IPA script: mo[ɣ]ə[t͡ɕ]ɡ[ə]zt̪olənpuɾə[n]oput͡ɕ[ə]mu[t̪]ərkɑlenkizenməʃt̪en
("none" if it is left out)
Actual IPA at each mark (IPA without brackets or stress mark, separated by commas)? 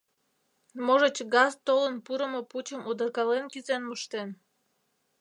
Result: ʒ, t͡ɕ, ɑ, m, ə, d̪